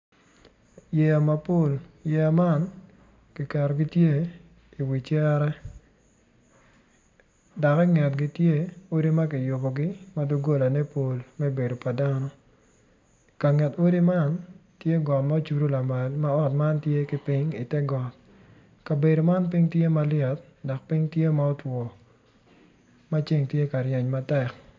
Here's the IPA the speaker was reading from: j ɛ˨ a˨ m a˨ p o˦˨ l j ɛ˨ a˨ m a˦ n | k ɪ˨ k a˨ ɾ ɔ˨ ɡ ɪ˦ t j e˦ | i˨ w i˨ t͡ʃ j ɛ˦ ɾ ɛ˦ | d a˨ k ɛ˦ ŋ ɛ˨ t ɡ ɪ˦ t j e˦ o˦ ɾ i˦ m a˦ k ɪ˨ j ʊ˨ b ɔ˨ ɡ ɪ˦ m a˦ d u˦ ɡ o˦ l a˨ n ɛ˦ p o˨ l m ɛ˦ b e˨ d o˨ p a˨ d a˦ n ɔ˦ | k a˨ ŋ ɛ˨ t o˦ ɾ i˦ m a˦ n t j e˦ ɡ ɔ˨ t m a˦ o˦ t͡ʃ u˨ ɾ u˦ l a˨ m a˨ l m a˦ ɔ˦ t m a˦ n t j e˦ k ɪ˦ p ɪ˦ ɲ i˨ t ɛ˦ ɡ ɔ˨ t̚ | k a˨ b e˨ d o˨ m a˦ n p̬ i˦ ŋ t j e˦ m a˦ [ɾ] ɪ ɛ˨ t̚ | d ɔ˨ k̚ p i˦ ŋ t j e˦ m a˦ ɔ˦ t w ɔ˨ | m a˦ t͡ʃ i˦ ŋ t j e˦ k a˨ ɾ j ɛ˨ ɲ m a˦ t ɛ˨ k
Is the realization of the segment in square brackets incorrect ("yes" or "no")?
yes